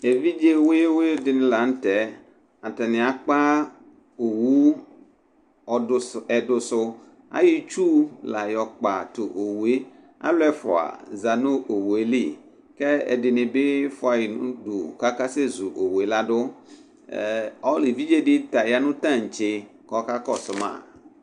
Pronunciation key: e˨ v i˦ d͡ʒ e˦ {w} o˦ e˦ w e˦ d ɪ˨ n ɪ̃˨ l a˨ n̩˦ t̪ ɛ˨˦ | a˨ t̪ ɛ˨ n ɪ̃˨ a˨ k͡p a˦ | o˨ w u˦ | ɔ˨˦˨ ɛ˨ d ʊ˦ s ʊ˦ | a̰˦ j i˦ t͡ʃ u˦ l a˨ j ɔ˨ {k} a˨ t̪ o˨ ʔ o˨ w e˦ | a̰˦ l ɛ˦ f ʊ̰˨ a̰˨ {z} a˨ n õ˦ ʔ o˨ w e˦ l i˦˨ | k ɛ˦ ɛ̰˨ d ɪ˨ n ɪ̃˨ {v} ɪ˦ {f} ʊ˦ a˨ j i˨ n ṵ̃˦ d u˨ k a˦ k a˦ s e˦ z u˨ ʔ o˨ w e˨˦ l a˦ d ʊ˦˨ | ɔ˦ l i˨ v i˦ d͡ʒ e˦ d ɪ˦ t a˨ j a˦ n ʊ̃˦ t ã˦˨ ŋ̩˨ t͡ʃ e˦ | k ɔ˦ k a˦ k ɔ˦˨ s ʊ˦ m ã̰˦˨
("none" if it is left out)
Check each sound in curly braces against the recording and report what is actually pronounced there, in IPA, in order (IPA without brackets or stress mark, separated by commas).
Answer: w, k͡p, z, b, f